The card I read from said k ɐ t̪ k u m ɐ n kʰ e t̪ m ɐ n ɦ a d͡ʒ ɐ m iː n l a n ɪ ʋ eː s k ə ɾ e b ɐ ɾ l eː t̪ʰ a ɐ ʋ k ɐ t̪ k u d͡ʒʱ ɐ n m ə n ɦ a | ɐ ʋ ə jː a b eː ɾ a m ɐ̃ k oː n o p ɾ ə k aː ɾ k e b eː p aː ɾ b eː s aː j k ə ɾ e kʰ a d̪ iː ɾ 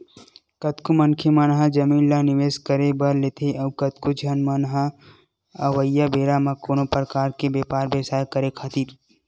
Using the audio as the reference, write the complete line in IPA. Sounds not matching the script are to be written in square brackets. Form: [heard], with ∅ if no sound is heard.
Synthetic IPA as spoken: k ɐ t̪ k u m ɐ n kʰ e [∅] m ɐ n ɦ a d͡ʒ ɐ m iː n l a n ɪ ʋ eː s k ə ɾ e b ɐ ɾ l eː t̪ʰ [e] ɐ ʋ k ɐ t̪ k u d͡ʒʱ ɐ n m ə n ɦ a | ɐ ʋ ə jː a b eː ɾ a m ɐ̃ k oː n o p ɾ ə k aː ɾ k e b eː p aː ɾ b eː s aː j k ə ɾ e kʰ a [t̪] iː ɾ